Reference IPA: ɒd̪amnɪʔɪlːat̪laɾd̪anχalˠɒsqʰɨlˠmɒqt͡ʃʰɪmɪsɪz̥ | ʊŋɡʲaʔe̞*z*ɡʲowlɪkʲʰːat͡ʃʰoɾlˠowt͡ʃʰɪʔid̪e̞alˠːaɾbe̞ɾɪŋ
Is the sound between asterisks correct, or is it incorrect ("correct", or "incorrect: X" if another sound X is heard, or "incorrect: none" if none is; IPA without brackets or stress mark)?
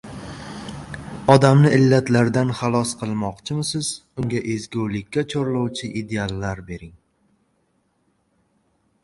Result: correct